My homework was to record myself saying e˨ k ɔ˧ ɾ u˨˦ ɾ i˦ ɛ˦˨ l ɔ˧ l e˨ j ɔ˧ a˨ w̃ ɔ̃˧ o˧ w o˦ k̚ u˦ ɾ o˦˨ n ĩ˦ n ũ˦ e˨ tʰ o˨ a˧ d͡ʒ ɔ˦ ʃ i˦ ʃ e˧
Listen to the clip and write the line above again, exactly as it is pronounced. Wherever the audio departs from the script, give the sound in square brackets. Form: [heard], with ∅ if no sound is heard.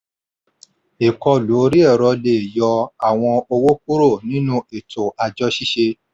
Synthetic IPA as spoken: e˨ k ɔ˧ [l] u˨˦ ɾ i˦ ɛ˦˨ [ɾ] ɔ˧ l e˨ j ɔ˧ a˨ w̃ ɔ̃˧ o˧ w o˦ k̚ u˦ ɾ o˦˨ n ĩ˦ n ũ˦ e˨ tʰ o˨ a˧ d͡ʒ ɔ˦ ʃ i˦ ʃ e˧